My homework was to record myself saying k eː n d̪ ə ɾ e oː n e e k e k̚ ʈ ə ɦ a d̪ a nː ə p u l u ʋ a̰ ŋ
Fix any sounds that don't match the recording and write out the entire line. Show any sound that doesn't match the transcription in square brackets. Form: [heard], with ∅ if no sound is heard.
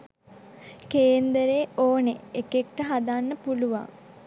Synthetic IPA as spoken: k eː n d̪ ə ɾ e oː n e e k e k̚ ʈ ə ɦ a d̪ a nː ə p u l u ʋ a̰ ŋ

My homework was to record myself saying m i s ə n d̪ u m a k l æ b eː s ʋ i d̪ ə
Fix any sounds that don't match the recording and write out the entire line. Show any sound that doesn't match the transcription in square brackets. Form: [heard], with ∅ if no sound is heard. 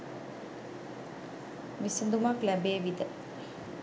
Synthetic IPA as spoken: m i s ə n d̪ u m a k l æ b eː [∅] ʋ i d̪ ə

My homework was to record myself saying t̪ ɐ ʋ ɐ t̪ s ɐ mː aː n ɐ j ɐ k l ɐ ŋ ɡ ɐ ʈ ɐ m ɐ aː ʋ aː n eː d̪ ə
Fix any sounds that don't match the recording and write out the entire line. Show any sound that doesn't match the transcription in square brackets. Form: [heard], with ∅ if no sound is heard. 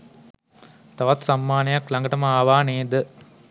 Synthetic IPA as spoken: t̪ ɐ ʋ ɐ t̪ s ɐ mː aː n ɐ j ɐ k l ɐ ŋ ɡ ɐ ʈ ɐ m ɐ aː ʋ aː n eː d̪ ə

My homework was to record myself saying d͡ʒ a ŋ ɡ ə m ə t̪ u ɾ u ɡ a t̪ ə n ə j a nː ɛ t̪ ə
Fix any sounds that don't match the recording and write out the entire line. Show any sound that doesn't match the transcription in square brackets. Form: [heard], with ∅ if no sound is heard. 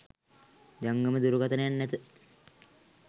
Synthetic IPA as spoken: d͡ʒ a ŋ ɡ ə m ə [d̪] u ɾ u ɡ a t̪ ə n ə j a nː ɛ t̪ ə

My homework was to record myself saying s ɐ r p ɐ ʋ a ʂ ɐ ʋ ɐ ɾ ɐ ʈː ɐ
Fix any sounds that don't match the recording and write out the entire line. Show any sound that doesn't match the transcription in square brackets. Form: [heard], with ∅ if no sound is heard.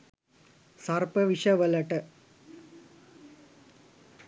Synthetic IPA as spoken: s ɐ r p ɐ ʋ [i] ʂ ɐ ʋ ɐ [l] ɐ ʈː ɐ

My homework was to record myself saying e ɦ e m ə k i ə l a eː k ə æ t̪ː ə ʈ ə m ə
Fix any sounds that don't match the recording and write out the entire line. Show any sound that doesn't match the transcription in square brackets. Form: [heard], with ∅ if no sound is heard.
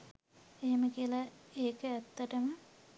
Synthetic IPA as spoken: e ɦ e m ə k i ə l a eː k ə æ t̪ː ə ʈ ə m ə

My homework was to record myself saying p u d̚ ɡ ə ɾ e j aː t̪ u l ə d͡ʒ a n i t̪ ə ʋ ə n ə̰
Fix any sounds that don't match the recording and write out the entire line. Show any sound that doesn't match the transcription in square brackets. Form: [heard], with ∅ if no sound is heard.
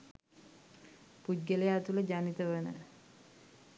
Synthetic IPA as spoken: p u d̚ ɡ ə [l] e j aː t̪ u l ə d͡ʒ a n i t̪ ə ʋ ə n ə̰

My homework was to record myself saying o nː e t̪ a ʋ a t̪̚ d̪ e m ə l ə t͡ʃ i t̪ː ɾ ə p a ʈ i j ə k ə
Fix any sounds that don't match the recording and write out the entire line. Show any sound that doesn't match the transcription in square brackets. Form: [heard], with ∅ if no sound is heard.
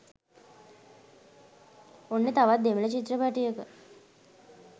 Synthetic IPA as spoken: o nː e t̪ a ʋ a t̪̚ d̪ e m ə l ə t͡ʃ i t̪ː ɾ ə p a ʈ i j ə k ə

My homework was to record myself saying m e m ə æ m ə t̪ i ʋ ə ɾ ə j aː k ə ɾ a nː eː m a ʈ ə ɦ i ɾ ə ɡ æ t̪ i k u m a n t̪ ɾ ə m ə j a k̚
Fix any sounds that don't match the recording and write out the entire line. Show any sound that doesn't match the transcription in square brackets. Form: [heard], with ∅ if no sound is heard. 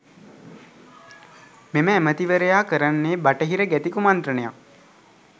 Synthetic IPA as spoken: m e m ə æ m ə t̪ i ʋ ə ɾ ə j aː k ə ɾ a nː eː [b] a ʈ ə ɦ i ɾ ə ɡ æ t̪ i k u m a n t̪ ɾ ə [n] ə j a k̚

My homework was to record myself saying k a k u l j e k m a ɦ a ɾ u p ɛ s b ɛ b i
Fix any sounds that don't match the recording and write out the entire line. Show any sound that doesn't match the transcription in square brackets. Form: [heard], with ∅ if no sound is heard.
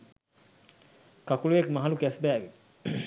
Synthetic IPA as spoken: k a k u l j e k m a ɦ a [l] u [k] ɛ s b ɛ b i

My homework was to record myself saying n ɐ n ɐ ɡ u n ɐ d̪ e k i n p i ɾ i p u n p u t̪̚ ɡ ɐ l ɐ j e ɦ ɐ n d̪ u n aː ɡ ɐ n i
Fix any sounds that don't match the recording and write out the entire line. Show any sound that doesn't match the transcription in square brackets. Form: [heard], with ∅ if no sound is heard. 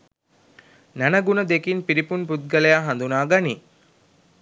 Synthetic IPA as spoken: n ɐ n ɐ ɡ u n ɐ d̪ e k i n p i ɾ i p u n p u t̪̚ ɡ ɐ l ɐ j [a] ɦ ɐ n d̪ u n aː ɡ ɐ n i

